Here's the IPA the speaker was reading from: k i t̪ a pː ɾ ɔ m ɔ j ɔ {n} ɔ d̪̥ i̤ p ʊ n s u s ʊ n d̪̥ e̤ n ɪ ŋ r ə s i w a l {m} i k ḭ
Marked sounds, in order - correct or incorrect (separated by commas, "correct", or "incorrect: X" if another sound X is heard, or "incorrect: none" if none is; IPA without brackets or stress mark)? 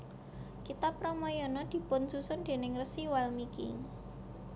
correct, correct